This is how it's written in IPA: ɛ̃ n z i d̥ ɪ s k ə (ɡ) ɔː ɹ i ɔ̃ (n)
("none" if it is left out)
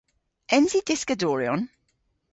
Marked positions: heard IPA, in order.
d, n

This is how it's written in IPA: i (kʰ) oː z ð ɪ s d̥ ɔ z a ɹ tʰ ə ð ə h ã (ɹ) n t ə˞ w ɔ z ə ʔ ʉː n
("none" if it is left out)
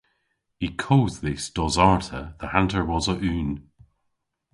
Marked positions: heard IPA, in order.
kʰ, none

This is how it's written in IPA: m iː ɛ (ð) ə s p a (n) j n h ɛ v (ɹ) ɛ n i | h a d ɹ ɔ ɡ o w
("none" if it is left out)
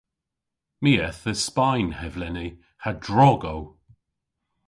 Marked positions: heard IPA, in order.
θ, none, l

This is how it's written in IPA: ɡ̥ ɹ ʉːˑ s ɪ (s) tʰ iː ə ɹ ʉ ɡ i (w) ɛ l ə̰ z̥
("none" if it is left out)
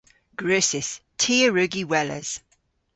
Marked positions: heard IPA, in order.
s, w

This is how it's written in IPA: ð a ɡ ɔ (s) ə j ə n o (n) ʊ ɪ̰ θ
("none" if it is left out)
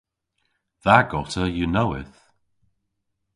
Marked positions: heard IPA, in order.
t, none

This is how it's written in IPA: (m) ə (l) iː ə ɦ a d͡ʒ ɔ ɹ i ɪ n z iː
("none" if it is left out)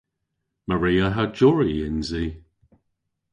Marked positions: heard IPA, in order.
m, ɹ

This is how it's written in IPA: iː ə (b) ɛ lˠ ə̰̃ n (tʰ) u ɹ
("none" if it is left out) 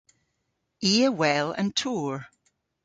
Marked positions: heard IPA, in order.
w, tʰ

